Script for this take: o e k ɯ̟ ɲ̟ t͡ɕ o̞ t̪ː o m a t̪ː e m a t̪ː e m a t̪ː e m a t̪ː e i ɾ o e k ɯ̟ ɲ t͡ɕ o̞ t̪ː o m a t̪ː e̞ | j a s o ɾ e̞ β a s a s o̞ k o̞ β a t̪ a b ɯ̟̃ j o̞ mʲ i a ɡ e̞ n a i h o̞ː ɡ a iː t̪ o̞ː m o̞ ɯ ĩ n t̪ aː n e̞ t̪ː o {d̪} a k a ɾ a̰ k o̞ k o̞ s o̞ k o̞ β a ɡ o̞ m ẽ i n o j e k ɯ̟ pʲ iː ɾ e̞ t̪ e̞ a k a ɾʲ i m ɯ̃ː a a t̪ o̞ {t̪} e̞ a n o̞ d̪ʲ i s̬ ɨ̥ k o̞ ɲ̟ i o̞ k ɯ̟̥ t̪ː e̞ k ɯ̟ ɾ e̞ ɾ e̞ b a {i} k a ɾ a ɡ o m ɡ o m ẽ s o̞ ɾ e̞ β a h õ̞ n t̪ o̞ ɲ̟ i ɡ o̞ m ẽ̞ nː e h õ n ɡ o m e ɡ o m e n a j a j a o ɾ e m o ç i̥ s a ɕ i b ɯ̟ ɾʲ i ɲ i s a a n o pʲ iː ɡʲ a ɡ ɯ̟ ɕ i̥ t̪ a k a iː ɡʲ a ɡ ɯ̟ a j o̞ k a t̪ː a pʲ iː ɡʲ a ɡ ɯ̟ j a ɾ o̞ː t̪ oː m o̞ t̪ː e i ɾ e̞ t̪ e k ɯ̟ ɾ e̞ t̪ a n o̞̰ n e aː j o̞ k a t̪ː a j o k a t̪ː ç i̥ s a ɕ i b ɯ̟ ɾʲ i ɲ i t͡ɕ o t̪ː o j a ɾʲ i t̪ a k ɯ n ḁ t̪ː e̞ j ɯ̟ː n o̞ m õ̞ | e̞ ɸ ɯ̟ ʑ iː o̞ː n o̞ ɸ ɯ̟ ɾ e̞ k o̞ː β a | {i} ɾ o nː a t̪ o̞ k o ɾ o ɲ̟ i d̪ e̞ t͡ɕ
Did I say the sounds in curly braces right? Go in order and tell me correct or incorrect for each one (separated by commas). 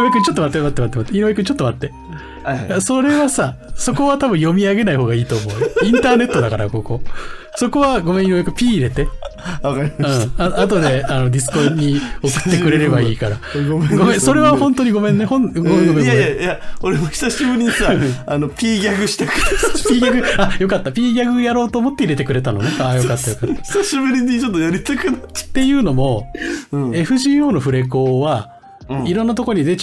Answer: correct, incorrect, incorrect, correct